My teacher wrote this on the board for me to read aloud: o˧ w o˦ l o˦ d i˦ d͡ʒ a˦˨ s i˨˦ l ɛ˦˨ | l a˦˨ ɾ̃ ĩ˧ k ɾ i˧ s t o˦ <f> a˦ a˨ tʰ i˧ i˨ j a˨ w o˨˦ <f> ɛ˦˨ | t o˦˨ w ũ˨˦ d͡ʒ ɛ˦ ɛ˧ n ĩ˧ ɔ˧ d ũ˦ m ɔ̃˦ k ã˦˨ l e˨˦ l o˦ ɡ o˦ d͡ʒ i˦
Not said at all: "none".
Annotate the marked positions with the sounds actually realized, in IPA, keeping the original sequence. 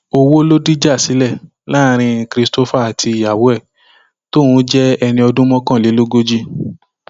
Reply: f, none

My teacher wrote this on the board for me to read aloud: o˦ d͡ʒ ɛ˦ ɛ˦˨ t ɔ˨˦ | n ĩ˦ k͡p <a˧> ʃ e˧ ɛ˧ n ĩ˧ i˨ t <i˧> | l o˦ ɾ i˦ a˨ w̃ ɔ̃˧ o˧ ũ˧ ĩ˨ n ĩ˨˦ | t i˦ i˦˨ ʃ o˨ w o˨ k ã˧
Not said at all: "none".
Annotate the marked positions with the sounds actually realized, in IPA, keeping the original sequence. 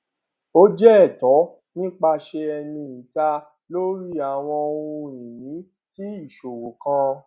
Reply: a˧, a˧

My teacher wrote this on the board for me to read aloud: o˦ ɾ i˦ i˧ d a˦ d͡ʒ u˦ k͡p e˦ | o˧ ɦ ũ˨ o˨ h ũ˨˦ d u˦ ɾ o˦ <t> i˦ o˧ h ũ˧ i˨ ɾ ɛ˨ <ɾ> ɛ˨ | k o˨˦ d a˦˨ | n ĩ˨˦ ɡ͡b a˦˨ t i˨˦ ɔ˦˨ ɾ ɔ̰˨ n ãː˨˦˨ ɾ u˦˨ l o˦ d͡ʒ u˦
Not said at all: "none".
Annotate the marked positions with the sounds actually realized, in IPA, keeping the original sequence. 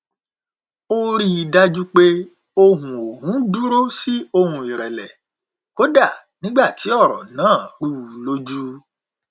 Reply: s, l

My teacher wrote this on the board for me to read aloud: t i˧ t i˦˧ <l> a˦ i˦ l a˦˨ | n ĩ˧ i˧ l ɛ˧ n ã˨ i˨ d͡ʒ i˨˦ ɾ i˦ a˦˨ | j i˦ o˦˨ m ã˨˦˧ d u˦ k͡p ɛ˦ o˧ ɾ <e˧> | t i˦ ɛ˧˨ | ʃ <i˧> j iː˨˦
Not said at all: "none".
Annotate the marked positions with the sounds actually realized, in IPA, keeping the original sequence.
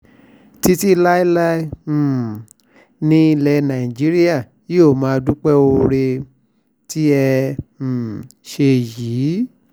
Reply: l, e˧, e˧

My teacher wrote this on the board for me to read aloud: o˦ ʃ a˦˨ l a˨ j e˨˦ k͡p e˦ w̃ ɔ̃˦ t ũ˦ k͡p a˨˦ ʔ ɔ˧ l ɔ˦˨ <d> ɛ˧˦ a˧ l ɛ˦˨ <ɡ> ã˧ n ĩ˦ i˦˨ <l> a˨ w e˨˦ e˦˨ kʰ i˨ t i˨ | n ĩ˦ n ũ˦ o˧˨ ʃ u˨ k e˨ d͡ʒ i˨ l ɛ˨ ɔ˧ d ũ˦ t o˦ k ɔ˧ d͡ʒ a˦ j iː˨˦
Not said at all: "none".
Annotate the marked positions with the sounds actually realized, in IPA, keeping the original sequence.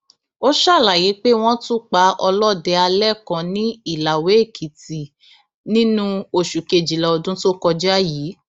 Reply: d, k, l

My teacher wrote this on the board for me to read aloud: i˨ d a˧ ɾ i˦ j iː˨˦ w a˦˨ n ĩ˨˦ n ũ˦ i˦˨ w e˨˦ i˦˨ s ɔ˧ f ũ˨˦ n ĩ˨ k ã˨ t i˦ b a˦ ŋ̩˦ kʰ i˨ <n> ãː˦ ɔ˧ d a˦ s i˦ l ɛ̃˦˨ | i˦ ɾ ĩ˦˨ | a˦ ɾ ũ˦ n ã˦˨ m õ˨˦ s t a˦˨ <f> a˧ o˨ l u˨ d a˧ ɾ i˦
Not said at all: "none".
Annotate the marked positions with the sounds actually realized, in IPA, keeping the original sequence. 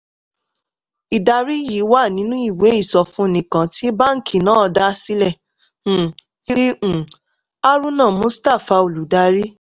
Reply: n, f

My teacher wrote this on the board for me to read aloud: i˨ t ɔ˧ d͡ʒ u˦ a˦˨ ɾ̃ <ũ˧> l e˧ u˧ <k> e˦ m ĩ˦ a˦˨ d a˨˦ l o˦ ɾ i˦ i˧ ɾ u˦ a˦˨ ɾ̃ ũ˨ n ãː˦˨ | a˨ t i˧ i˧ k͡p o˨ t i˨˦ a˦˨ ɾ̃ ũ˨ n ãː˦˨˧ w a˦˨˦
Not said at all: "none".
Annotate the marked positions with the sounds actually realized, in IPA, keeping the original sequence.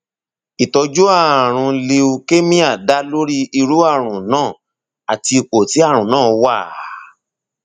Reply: ũ˧, k

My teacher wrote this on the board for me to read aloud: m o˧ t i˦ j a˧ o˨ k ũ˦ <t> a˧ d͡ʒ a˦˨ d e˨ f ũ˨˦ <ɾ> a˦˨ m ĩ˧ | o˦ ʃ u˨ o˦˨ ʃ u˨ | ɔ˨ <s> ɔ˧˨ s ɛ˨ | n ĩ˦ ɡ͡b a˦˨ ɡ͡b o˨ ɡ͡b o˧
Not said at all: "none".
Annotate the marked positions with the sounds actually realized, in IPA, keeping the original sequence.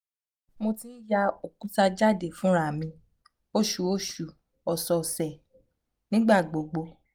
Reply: t, ɾ, s

